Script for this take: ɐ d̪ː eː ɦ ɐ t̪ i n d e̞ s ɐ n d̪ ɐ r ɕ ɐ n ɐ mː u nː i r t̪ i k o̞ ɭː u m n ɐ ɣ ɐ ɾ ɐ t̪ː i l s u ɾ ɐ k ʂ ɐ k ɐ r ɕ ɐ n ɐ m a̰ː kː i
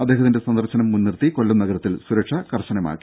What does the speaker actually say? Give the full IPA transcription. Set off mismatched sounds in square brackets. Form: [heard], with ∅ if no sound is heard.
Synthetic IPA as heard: ɐ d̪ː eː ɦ ɐ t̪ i n d e̞ s ɐ n d̪ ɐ r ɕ ɐ n ɐ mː u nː i r t̪ i k o̞ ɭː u m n ɐ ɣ ɐ ɾ ɐ t̪ː i l s u ɾ ɐ k ʂ ɐ k ɐ r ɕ ɐ n ɐ m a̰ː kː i